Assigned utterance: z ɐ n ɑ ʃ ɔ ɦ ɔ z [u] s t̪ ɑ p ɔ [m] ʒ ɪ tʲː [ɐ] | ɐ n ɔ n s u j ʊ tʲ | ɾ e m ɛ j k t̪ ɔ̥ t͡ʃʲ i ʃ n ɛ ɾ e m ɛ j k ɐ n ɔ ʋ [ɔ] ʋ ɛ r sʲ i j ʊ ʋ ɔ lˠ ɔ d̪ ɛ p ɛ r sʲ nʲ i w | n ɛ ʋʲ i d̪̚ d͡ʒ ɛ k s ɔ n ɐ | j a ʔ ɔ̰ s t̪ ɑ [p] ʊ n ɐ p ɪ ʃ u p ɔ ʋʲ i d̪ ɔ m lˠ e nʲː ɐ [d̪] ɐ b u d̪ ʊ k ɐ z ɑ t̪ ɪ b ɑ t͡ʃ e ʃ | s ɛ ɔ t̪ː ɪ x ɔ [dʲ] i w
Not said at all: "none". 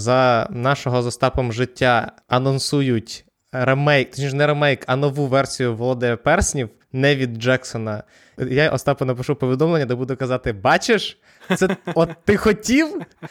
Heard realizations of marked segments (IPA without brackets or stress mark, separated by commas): ɔ, m, a, u, p, d̪, tʲ